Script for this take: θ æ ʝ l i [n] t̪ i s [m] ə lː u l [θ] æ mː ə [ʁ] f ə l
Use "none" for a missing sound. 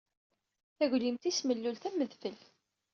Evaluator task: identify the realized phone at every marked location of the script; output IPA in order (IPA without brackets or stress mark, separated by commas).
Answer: m, m, θ, ð